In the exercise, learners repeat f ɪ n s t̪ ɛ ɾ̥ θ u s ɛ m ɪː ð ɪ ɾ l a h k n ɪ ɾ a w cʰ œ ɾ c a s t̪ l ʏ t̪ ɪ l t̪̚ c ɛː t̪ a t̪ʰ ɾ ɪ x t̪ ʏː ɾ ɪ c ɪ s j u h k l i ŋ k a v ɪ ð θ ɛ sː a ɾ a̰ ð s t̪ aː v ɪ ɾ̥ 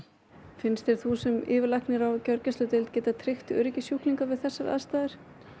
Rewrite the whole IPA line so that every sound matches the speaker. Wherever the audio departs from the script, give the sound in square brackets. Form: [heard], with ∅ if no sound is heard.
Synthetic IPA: f ɪ n s t̪ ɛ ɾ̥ θ u s ɛ m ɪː [v] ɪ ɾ l a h k n ɪ ɾ a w [c] œ ɾ c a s t̪ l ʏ t̪ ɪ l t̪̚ c ɛː t̪ a t̪ʰ ɾ ɪ x t̪ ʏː ɾ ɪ c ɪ s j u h k l i ŋ k a v ɪ ð θ ɛ sː a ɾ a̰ ð s t̪ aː [ð] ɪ ɾ̥